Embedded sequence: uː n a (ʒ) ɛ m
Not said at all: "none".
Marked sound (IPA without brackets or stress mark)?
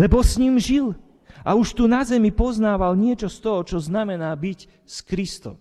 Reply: z